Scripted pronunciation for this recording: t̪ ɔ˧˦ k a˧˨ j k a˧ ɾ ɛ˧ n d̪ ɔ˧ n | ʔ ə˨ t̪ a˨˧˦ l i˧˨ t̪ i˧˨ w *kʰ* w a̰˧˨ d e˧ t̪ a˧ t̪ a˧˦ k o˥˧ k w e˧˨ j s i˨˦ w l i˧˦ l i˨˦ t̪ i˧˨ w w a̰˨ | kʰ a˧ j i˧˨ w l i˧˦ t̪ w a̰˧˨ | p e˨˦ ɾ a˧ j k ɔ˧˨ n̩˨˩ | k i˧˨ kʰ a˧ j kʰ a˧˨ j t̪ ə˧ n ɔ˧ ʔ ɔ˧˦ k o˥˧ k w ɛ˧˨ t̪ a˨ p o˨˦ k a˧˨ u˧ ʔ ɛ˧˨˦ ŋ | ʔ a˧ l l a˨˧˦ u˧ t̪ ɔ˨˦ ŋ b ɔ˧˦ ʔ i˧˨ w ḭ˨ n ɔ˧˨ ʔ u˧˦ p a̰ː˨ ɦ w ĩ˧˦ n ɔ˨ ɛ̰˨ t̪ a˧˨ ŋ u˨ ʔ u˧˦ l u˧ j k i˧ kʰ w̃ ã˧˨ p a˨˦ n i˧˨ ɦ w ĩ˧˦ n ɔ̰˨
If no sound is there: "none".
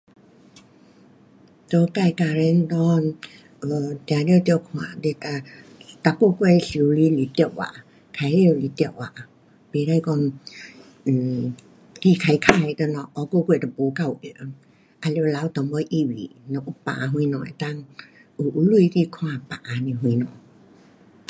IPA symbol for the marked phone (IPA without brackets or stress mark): kʰ